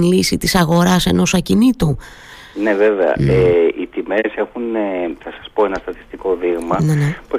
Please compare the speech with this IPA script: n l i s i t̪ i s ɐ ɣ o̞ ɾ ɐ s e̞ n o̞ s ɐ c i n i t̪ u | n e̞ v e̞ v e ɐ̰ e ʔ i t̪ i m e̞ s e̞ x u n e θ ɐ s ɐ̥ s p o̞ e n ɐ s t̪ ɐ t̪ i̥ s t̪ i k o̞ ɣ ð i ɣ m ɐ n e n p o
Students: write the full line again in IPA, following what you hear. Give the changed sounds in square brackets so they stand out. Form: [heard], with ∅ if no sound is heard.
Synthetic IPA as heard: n l i s i t̪ i s ɐ ɣ o̞ ɾ ɐ s e̞ n o̞ s ɐ c i n i t̪ u | n e̞ v e̞ v e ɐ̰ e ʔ i t̪ i m e̞ s e̞ x u n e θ ɐ s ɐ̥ s p o̞ e n ɐ s t̪ ɐ t̪ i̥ s t̪ i k o̞ [∅] ð i ɣ m ɐ n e n p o